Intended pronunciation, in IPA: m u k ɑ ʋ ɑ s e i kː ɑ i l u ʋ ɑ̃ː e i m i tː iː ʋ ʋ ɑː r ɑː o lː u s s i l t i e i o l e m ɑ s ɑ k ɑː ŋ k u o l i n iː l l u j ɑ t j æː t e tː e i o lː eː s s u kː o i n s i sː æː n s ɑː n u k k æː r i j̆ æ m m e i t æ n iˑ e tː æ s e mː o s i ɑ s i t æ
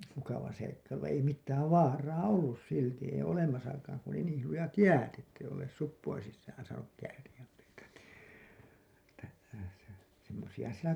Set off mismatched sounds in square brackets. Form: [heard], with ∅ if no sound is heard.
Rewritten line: m u k ɑ ʋ ɑ s e i kː ɑ i l u ʋ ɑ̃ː e i m i tː [æː] ʋ ʋ ɑː r ɑː o lː u s s i l t i e i o l e m ɑ s ɑ k ɑː ŋ k u o l i n iː l l u j ɑ t j æː t e tː e i o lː eː s s u [pː] o i n s i sː æː n s ɑː n u k k æː r i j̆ æ m m e i t æ n iˑ e tː æ s e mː o s i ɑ s i t æ